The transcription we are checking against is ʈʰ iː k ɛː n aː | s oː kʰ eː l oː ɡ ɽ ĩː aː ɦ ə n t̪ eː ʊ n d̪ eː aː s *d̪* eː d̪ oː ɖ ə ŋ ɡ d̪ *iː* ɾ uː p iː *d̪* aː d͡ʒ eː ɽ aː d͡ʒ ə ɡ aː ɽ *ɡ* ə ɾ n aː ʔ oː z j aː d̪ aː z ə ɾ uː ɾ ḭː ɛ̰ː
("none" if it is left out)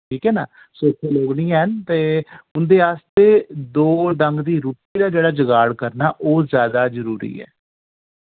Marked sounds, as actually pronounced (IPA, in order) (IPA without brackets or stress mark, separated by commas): t̪, iː, d̪, k